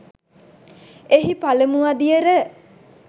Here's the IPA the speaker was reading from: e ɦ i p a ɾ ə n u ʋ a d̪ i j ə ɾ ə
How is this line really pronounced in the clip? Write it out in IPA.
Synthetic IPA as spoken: e ɦ i p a l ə m u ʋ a d̪ i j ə ɾ ə